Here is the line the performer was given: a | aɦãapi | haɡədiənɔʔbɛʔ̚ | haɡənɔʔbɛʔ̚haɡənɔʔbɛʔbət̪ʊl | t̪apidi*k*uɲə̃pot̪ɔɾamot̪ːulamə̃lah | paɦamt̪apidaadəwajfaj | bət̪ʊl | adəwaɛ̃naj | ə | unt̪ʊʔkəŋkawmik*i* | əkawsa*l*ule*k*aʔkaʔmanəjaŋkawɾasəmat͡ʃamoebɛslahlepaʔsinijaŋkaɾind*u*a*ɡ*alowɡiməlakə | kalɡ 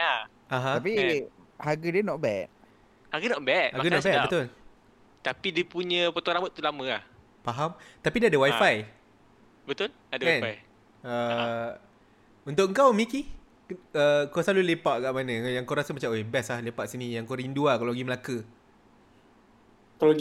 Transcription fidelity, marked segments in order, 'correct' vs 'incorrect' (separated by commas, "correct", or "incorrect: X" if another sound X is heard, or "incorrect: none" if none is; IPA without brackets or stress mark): incorrect: p, correct, correct, incorrect: p, correct, incorrect: k